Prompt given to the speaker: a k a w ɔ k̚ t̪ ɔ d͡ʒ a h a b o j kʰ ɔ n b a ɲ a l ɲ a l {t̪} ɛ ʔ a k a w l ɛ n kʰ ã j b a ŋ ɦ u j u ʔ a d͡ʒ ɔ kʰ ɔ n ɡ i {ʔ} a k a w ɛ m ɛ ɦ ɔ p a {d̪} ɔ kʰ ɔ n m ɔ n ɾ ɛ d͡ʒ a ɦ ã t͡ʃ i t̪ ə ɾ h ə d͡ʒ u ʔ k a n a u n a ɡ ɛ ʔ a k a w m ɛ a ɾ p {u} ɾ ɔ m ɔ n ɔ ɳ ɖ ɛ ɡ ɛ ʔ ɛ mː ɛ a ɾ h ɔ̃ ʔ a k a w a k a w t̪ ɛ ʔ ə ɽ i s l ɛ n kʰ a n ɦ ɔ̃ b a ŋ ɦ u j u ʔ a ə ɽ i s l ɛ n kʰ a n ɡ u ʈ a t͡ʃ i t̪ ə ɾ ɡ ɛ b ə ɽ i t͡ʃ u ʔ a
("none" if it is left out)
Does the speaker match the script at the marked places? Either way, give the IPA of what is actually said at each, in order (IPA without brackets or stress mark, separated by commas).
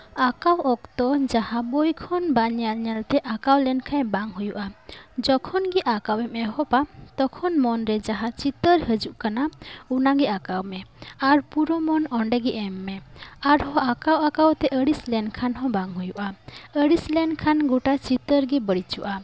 t̪, ʔ, t̪, u